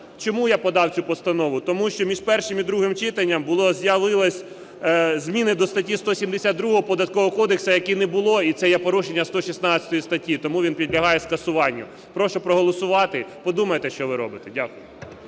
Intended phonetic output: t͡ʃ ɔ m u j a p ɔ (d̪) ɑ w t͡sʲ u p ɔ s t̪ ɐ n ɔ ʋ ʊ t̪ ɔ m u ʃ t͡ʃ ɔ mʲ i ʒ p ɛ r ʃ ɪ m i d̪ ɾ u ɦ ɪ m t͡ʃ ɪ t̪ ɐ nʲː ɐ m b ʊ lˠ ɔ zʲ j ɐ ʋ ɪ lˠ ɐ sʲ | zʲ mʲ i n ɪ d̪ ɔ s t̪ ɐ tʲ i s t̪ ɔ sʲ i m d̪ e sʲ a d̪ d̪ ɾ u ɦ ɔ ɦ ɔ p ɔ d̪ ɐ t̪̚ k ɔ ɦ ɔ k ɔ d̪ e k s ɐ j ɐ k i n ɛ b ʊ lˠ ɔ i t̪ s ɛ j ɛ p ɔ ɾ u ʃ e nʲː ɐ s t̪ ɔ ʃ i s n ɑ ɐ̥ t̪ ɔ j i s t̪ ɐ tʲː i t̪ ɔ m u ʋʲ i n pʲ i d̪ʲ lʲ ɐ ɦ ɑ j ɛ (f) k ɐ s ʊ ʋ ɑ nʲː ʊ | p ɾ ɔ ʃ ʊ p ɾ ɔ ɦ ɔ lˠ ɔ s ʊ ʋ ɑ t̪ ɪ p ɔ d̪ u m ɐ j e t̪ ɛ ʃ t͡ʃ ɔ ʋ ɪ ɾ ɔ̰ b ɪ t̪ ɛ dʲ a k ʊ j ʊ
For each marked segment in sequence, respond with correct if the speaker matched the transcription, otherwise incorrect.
correct, incorrect: s

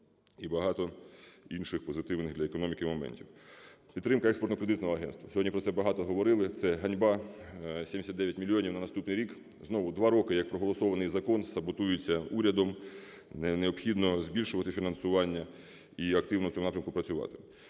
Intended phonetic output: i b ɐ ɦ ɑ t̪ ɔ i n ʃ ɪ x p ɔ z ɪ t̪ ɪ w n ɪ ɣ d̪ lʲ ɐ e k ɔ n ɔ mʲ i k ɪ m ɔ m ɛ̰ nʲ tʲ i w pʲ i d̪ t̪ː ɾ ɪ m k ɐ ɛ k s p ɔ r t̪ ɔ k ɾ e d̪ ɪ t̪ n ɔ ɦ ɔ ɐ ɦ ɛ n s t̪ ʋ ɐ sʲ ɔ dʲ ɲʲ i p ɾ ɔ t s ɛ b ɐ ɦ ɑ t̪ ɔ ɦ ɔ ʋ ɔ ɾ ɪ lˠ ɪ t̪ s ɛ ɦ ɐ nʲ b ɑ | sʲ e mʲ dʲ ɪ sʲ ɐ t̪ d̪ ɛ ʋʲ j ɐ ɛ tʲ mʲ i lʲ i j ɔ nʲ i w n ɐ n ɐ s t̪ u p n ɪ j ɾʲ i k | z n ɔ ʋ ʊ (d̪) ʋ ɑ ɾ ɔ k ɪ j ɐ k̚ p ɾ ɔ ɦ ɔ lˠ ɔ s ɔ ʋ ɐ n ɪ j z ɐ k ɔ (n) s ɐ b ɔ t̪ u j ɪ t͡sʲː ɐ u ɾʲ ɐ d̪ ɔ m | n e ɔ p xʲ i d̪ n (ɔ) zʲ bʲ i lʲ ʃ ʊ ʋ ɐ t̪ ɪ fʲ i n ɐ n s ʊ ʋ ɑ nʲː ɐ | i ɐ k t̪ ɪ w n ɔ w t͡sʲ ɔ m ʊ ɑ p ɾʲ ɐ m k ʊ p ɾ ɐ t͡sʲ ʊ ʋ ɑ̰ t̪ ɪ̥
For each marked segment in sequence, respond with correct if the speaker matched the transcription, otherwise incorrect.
correct, correct, correct

